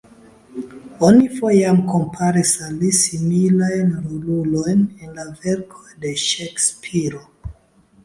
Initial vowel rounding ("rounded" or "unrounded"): rounded